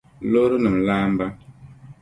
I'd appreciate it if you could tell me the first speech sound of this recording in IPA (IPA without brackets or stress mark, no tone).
l